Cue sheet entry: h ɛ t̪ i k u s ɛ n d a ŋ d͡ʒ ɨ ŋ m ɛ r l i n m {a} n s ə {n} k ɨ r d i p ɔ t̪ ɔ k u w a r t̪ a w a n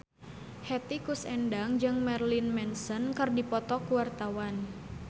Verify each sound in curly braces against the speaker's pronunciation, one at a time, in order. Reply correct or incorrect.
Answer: incorrect: ɛ, correct

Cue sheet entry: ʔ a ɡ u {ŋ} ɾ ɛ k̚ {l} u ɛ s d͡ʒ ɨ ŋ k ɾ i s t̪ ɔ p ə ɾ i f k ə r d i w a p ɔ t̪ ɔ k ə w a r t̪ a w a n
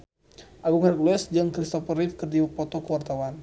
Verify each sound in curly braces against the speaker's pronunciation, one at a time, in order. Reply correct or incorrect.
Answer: correct, correct

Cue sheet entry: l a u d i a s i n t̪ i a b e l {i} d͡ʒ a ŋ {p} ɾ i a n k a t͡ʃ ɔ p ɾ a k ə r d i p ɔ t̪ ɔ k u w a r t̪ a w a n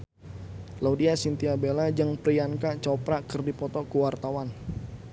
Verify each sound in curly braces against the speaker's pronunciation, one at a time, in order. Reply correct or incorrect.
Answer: incorrect: a, correct

